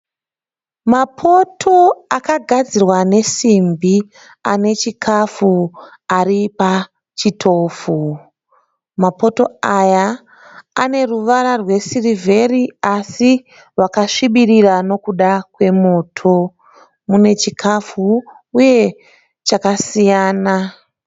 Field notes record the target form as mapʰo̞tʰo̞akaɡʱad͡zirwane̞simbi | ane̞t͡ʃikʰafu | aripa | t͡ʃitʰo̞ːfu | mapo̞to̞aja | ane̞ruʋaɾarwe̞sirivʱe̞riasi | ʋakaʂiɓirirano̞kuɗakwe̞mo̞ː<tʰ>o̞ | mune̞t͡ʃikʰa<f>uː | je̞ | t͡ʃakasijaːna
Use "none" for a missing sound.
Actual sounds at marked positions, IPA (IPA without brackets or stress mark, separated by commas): tʰ, f